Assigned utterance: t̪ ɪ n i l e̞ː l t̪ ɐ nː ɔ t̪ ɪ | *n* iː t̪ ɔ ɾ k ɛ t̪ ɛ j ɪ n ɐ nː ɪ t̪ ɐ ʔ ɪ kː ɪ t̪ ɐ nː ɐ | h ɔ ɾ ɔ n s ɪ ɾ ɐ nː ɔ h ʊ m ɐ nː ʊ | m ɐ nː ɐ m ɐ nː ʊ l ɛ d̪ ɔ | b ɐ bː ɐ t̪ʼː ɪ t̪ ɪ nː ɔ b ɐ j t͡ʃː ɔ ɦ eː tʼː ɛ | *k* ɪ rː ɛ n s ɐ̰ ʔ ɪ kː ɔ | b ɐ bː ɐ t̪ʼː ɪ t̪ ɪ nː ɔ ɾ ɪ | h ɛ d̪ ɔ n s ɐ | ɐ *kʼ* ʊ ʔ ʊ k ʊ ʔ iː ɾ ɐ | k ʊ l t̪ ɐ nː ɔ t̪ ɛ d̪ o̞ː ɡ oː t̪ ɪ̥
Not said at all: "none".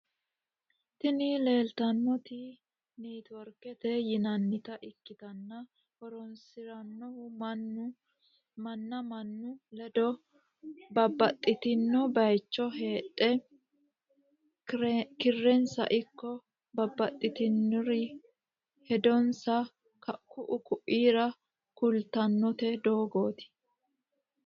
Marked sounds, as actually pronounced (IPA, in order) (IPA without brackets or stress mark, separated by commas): n, k, k